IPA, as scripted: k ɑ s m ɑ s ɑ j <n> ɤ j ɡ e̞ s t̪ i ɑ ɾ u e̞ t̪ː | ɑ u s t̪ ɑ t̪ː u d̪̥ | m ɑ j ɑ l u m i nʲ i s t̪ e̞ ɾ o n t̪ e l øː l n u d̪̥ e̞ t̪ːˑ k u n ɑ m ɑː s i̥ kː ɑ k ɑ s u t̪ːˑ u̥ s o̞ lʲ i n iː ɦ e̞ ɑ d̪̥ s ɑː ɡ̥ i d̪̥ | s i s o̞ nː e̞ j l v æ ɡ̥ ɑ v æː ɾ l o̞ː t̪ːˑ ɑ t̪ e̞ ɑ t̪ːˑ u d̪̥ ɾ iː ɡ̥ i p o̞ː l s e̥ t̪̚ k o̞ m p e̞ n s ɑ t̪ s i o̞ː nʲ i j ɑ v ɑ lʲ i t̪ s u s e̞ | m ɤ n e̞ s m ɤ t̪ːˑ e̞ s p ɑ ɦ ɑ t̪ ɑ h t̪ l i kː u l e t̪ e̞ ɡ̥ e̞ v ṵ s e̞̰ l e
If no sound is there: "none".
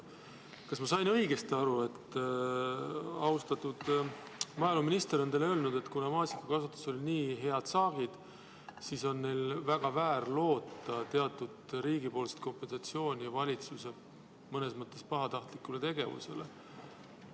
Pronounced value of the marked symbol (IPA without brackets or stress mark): n